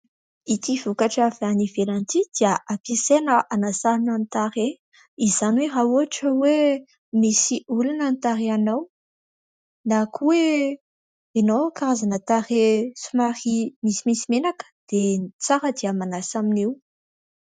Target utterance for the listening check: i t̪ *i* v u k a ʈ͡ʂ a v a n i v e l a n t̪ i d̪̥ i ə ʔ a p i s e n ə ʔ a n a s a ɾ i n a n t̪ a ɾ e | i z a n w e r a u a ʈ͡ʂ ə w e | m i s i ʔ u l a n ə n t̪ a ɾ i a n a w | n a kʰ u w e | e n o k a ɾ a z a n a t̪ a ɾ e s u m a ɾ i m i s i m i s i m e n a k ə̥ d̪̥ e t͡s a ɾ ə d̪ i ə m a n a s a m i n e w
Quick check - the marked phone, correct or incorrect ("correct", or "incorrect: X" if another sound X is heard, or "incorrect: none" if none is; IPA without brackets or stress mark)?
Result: correct